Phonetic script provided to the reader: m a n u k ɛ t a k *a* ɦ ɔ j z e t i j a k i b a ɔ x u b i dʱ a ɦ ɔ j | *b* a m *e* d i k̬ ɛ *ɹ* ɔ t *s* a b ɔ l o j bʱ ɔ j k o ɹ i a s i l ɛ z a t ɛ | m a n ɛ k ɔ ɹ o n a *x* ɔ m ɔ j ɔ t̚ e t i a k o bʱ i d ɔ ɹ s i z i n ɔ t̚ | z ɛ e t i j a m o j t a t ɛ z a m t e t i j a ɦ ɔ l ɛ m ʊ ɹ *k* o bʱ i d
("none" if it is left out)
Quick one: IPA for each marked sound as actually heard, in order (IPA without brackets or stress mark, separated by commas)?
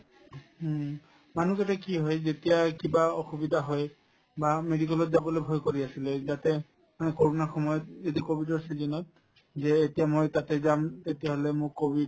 i, b, e, l, z, x, k